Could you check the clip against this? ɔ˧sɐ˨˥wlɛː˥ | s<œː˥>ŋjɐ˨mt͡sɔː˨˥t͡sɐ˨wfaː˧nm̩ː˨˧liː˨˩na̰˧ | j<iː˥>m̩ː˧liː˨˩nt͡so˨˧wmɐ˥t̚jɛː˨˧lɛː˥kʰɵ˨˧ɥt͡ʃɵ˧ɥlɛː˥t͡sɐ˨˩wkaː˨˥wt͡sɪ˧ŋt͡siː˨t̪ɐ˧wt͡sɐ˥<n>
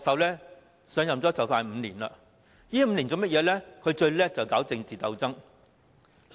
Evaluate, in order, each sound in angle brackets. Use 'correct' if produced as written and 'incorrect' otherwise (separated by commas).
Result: incorrect, correct, incorrect